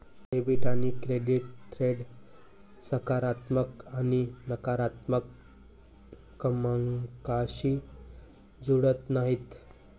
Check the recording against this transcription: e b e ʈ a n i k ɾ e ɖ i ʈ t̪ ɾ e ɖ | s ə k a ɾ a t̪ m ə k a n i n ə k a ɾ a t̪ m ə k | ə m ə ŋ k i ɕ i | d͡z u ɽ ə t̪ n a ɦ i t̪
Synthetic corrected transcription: e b i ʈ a n i k ɾ e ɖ i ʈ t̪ ɾ e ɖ | s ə k a ɾ a t̪ m ə k a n i n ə k a ɾ a t̪ m ə k | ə m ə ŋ k a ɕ i | d͡z u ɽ ə t̪ n a ɦ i t̪